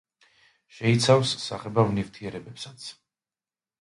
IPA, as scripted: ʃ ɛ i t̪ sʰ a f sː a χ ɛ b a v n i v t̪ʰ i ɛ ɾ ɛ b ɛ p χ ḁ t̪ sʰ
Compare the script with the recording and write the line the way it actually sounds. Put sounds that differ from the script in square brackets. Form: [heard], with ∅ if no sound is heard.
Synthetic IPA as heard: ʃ ɛ i t̪ sʰ a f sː a χ ɛ b a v n i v t̪ʰ i ɛ ɾ ɛ b ɛ p [s] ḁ t̪ sʰ